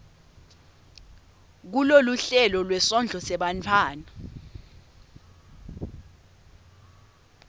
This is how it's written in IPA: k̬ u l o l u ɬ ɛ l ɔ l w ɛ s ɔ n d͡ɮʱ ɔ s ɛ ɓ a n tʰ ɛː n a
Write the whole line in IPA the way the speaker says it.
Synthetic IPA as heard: k̬ u l o l u ɬ ɛ l ɔ l w ɛ s ɔ n d͡ɮʱ ɔ s ɛ ɓ a n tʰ aː n a